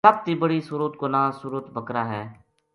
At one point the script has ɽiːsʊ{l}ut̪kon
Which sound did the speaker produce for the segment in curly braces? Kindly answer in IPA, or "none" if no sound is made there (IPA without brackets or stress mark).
ɾ